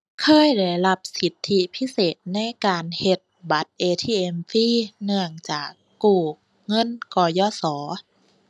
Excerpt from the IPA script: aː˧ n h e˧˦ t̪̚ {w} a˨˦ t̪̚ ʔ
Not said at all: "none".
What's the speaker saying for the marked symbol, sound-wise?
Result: b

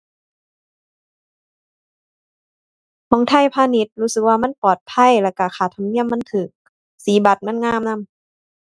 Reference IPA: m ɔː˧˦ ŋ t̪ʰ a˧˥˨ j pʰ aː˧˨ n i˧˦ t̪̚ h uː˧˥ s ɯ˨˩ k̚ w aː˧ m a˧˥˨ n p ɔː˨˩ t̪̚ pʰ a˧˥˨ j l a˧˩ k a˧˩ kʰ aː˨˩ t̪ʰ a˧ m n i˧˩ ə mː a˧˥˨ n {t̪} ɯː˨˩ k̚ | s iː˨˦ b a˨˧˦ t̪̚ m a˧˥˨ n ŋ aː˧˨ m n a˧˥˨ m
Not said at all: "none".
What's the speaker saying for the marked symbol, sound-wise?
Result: t̪ʰ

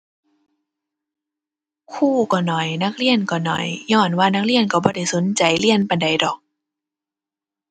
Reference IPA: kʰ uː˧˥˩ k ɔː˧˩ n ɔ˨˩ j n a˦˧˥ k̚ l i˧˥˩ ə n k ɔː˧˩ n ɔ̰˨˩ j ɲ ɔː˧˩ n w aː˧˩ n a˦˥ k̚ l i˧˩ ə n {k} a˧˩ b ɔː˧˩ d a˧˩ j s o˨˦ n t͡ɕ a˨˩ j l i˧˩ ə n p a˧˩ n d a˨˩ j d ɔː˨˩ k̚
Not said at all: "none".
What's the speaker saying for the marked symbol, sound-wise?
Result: k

